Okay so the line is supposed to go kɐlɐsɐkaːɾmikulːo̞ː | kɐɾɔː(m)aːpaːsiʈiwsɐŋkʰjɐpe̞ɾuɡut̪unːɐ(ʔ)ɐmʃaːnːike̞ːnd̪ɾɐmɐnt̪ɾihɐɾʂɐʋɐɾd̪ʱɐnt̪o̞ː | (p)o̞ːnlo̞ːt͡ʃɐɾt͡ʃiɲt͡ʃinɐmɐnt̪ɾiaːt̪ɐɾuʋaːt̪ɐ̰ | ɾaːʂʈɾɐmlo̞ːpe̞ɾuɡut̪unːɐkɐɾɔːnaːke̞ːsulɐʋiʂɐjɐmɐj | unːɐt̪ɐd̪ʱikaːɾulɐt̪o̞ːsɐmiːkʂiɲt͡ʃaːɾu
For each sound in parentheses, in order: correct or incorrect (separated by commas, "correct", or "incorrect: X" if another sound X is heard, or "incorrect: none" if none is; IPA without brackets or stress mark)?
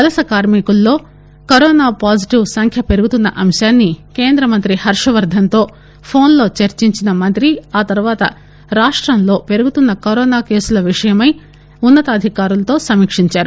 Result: incorrect: n, correct, incorrect: pʰ